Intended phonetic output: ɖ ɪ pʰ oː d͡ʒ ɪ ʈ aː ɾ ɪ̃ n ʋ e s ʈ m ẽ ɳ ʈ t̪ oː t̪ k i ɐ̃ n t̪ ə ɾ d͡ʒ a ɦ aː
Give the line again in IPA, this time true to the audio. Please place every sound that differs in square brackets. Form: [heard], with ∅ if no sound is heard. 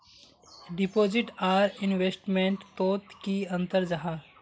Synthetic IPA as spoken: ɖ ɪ [p] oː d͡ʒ ɪ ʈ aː ɾ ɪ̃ n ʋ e s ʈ m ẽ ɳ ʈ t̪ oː t̪ k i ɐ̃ n t̪ ə ɾ d͡ʒ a ɦ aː